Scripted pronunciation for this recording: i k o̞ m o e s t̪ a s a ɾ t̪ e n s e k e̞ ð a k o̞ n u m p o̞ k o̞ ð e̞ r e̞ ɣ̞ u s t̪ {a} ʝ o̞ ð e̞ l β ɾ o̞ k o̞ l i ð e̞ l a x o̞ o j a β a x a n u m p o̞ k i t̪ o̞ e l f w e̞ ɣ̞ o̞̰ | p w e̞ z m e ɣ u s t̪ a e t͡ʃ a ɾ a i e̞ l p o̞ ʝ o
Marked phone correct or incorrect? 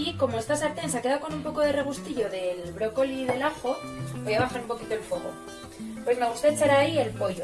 incorrect